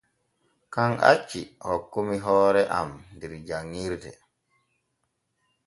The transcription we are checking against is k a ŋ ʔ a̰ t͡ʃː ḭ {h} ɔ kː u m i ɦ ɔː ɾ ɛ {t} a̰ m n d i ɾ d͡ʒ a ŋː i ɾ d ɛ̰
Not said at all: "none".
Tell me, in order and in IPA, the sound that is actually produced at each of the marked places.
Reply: h, ʔ

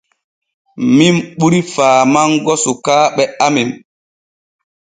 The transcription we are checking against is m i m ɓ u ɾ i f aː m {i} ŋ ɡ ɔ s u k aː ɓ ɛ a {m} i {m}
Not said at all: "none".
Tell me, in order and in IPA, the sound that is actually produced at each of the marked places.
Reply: a, m, m

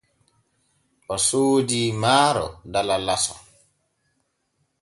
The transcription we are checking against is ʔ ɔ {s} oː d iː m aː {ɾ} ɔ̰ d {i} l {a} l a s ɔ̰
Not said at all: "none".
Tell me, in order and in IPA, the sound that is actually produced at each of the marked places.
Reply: s, ɾ, a, a

